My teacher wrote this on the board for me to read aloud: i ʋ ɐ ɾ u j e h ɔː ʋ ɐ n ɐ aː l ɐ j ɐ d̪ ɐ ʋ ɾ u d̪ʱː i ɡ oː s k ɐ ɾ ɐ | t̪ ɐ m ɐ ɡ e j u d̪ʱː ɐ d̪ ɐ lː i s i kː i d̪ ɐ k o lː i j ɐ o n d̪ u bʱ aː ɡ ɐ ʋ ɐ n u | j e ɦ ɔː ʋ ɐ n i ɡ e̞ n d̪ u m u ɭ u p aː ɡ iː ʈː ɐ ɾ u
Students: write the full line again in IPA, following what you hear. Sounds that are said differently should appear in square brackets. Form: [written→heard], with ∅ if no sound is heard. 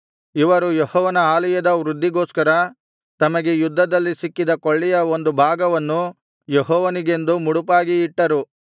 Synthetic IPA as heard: i ʋ ɐ ɾ u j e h ɔː ʋ ɐ n ɐ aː l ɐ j ɐ d̪ ɐ ʋ ɾ u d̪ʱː i ɡ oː s k ɐ ɾ ɐ | t̪ ɐ m ɐ ɡ e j u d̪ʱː ɐ d̪ ɐ lː i s i kː i d̪ ɐ k o [lː→ɭː] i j ɐ o n d̪ u bʱ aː ɡ ɐ ʋ ɐ [n→nː] u | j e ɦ ɔː ʋ ɐ n i ɡ e̞ n d̪ u m u [ɭ→ɽ] u p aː ɡ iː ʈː ɐ ɾ u

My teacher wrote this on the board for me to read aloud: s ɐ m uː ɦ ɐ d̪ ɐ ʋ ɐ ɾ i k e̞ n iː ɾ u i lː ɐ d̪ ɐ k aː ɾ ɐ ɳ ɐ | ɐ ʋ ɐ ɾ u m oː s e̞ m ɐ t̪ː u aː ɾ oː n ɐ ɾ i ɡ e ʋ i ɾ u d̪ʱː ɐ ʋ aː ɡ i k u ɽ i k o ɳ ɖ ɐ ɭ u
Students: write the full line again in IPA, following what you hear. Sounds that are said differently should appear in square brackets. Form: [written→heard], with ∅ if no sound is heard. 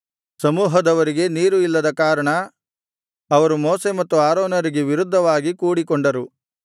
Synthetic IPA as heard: s ɐ m uː ɦ ɐ d̪ ɐ ʋ ɐ ɾ i [k→ɡ] e̞ n iː ɾ u i lː ɐ d̪ ɐ k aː ɾ ɐ ɳ ɐ | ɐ ʋ ɐ ɾ u m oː s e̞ m ɐ t̪ː u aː ɾ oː n ɐ ɾ i ɡ e ʋ i ɾ u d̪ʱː ɐ ʋ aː ɡ i k [u→uː] ɽ i k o ɳ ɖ ɐ [ɭ→ɾ] u

